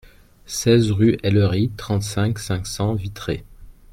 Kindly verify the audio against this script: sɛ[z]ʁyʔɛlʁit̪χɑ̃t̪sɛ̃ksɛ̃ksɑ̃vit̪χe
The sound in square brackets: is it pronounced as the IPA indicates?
yes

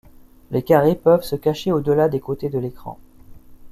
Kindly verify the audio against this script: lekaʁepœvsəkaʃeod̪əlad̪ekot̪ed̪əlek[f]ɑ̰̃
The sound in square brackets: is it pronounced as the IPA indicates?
no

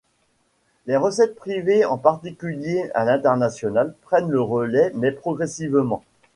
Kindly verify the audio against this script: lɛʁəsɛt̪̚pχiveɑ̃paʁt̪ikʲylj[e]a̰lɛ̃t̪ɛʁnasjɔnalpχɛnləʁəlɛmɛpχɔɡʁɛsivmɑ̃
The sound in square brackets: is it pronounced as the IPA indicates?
yes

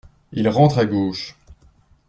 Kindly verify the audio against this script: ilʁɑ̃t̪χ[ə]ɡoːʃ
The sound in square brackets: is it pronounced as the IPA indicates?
no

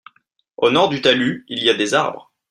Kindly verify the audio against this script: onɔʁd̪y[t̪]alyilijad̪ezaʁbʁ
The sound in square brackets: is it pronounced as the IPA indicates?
yes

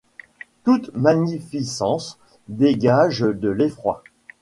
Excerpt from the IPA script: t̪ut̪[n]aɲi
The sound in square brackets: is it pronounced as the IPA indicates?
no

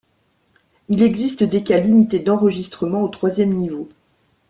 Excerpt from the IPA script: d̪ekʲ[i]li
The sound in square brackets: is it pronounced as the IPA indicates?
no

